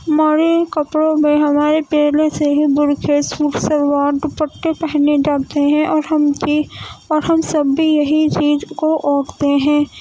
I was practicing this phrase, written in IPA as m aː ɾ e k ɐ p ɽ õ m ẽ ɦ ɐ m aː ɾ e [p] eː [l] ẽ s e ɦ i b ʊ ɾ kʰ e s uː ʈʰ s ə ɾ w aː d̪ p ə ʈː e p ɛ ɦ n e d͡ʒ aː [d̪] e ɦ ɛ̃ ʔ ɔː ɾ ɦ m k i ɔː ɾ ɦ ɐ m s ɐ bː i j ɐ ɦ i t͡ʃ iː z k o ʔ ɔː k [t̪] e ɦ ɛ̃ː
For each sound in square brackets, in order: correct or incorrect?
correct, correct, incorrect, correct

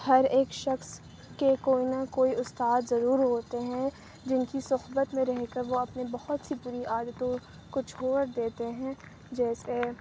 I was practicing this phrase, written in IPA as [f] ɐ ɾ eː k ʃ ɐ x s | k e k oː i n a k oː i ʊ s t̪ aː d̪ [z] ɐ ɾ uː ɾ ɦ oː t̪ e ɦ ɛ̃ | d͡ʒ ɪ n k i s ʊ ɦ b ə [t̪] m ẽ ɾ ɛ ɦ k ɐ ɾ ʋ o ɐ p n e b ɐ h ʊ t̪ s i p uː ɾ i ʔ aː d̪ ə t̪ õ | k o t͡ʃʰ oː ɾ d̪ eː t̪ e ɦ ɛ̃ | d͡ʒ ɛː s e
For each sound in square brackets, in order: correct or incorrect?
incorrect, correct, correct

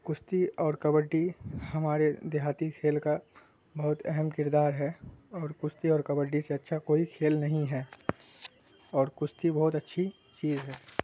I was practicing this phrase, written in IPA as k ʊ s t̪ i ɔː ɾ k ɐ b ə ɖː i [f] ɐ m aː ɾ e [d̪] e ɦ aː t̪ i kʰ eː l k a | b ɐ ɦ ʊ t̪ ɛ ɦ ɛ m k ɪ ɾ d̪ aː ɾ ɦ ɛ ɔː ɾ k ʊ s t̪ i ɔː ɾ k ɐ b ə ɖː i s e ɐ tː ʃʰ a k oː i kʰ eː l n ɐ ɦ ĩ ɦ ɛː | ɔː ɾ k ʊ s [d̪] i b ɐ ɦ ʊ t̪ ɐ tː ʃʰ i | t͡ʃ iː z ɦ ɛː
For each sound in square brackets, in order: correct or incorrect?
incorrect, correct, incorrect

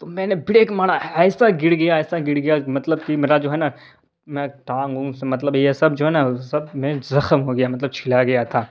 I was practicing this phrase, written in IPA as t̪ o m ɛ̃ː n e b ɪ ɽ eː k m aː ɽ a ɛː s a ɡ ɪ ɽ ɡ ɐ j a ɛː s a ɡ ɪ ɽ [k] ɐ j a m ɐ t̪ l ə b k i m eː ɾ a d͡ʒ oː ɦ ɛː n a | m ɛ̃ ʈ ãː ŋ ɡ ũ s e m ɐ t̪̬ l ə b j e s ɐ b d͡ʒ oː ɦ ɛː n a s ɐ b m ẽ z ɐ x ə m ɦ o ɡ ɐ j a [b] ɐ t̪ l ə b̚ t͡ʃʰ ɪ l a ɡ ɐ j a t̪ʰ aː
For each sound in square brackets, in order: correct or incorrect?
incorrect, incorrect

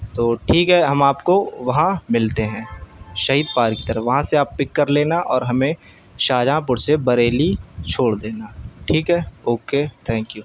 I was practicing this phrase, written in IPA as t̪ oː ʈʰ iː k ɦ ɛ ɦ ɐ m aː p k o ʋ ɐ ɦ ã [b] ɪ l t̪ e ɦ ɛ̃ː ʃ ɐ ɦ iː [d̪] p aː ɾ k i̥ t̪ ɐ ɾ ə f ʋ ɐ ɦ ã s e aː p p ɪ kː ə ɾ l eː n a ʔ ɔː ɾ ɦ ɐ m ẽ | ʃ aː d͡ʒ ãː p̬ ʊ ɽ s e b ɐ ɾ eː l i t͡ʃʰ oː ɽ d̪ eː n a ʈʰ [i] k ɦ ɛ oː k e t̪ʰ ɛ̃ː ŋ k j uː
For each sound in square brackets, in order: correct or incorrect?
incorrect, correct, incorrect

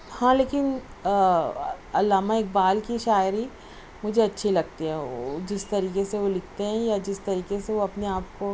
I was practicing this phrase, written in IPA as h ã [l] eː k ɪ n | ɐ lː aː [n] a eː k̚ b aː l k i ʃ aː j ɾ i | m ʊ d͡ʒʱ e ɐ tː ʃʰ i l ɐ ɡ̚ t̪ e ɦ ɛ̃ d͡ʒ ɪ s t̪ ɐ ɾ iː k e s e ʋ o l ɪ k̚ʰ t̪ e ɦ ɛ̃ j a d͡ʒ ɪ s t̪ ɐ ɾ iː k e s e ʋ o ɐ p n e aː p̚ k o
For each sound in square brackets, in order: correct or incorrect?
correct, incorrect

